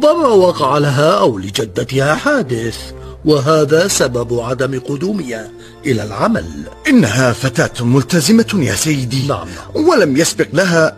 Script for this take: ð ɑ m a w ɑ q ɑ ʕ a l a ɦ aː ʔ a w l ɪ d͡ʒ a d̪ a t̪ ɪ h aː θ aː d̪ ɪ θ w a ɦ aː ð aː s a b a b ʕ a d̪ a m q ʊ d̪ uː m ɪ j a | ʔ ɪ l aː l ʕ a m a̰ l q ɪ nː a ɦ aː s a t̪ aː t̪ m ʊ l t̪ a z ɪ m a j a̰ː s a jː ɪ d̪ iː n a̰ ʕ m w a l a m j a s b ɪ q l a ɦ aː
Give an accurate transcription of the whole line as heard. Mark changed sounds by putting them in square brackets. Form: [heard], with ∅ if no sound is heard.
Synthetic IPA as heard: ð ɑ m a w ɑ q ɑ ʕ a l a ɦ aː ʔ a w l ɪ d͡ʒ a [d̪ː] a t̪ ɪ h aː [ħ] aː d̪ ɪ θ w a ɦ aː ð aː s a b a b ʕ a d̪ a m q ʊ d̪ uː m ɪ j a | ʔ ɪ l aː l ʕ a m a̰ l [ʔ] ɪ nː a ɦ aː [f] a t̪ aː t̪ m ʊ l t̪ a z ɪ m a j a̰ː s a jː ɪ d̪ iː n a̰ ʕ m w a l a m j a s b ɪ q l a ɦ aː